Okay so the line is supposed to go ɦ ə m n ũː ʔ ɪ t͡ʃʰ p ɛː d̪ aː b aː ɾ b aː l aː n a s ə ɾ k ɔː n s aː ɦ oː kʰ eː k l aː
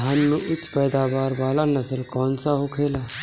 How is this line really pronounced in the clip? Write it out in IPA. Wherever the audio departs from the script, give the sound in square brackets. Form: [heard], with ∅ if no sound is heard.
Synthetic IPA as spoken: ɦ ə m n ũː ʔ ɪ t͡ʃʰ p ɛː d̪ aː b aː ɾ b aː l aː n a s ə ɾ k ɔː n s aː ɦ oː kʰ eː [∅] l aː